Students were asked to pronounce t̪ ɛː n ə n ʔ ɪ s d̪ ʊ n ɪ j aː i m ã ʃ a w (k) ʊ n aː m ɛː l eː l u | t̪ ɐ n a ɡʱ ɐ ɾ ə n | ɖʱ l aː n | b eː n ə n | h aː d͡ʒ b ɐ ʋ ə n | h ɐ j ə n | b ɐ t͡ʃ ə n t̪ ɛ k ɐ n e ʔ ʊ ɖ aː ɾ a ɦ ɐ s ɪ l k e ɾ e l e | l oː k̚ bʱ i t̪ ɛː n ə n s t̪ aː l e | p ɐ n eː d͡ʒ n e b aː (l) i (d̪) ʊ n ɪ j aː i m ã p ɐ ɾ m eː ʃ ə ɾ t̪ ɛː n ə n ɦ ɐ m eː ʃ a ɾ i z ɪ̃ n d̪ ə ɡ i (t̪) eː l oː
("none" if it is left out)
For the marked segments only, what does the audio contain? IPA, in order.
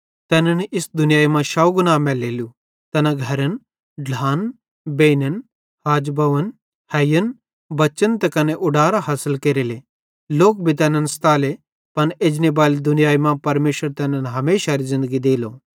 ɡ, l, d̪, d̪

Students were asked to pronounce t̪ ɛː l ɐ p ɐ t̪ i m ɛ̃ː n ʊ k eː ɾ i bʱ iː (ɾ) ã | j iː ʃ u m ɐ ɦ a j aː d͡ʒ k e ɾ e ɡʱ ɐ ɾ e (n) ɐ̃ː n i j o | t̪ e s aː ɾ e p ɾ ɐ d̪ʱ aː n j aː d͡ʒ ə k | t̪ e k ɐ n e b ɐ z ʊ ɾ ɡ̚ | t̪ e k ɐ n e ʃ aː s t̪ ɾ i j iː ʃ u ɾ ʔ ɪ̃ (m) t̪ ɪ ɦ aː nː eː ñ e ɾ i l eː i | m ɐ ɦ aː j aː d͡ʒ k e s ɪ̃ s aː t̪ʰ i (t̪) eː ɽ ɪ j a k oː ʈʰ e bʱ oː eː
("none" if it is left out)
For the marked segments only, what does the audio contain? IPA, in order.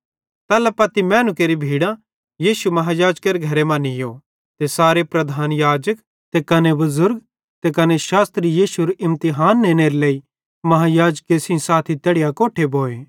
ɽ, m, m, t̪

